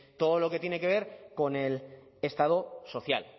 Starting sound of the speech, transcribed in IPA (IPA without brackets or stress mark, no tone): t̪